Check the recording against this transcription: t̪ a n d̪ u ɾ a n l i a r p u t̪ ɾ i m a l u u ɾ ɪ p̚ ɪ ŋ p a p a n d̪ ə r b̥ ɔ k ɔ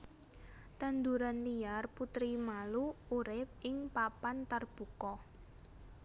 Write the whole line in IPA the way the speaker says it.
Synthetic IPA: t̪ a n d̪ u ɾ a n l i a r p u t̪ ɾ i m a l u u ɾ ɪ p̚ ɪ ŋ p a p a n t̪ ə r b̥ u k ɔ